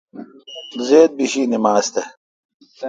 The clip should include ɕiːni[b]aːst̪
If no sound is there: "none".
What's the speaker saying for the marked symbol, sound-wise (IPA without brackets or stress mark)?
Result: m